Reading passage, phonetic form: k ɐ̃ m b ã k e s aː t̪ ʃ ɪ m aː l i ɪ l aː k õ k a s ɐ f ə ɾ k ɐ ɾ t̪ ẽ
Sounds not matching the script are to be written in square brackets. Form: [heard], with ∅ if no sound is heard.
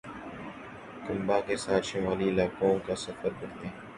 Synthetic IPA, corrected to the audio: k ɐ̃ m b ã k e s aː t̪ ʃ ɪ m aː l i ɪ l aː k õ k a s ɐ f ə ɾ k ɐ ɾ t̪ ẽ